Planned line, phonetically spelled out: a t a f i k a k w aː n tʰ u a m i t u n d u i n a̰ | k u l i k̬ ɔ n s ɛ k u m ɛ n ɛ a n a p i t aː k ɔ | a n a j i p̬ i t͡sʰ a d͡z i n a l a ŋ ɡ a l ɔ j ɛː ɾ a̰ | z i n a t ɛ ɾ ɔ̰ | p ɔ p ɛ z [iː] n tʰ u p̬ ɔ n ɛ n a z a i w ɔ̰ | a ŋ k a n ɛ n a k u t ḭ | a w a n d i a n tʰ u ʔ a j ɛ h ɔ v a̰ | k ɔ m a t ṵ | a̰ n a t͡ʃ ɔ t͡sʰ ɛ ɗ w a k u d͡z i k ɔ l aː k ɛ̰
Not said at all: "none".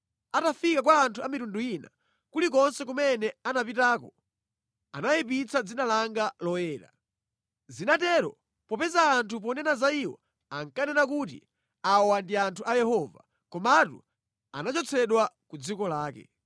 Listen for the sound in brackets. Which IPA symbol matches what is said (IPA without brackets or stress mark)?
aː